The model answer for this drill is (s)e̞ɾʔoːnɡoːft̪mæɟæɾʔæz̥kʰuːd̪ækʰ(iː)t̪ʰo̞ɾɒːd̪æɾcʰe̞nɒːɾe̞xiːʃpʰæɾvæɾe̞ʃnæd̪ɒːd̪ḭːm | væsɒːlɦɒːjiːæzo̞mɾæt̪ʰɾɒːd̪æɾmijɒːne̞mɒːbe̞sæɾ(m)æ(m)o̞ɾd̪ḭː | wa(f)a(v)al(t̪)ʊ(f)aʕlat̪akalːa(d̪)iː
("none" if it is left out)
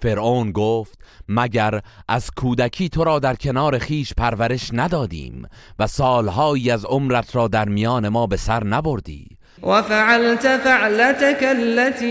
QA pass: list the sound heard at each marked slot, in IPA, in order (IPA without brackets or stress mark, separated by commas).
f, iː, n, b, f, ʕ, t̪, f, t̪